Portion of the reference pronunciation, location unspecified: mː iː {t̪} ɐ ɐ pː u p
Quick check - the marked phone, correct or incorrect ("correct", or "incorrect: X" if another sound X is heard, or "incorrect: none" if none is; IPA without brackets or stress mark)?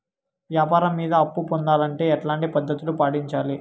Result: incorrect: d̪